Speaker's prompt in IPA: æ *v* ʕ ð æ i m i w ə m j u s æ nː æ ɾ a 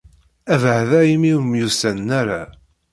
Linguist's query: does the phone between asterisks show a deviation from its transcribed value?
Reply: no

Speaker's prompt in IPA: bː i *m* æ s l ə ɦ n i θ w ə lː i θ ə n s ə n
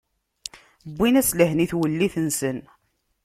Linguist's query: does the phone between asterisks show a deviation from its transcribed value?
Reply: yes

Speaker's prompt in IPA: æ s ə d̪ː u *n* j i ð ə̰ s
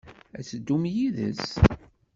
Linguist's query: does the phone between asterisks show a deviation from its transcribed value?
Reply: yes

